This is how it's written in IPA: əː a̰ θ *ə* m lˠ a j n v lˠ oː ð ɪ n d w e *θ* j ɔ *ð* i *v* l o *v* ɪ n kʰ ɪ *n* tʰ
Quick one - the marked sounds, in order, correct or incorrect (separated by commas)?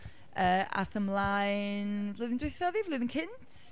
correct, correct, correct, correct, incorrect, correct